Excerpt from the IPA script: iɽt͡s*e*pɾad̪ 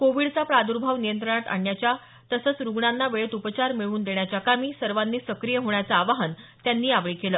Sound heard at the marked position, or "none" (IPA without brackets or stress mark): a